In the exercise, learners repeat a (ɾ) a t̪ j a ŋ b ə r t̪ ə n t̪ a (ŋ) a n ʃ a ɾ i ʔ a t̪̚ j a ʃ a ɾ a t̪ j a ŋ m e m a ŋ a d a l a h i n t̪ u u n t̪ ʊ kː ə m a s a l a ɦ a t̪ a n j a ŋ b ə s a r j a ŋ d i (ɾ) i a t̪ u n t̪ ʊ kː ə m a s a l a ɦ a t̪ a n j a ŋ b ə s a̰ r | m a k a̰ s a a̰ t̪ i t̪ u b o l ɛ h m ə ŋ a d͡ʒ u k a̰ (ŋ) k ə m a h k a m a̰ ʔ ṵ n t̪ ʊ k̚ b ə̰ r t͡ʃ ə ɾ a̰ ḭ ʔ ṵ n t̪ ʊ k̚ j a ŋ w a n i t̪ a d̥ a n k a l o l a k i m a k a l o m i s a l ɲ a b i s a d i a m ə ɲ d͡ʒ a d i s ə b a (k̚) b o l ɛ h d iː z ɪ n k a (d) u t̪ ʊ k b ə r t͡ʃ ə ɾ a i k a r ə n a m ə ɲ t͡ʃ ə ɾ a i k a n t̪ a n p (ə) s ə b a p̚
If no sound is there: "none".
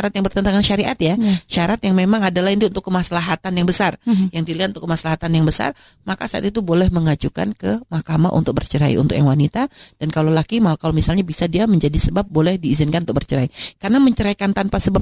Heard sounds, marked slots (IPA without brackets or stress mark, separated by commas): ɾ, ŋ, l, n, p̚, n, a